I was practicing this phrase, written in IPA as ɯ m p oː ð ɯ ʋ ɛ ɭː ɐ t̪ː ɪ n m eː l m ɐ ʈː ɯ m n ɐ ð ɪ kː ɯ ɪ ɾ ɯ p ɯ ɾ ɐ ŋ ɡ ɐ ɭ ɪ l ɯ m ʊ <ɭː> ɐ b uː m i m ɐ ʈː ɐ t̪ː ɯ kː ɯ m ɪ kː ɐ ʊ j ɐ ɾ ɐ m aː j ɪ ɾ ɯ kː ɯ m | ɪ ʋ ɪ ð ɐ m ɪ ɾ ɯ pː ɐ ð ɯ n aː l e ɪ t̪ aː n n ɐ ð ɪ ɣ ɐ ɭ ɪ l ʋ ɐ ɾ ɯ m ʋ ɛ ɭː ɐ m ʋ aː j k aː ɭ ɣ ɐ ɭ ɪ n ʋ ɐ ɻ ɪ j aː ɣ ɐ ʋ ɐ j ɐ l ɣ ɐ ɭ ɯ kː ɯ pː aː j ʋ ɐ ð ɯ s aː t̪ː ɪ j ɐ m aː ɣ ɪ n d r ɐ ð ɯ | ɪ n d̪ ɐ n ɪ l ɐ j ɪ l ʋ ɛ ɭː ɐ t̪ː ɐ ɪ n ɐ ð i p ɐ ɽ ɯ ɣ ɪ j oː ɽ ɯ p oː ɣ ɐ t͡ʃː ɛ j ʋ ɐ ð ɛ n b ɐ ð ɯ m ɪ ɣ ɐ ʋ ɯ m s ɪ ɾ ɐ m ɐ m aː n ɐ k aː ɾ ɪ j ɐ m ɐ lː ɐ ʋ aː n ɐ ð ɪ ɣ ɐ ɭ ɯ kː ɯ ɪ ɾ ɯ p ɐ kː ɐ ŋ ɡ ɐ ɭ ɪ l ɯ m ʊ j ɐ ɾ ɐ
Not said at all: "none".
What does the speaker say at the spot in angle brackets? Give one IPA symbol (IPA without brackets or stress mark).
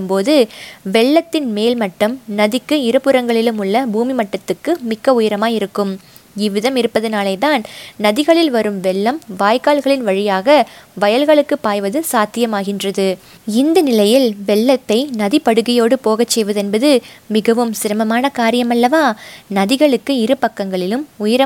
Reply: ɭː